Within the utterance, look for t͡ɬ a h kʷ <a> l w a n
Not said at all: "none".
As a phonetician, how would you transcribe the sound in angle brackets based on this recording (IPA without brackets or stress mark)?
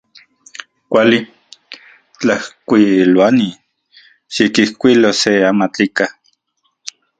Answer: i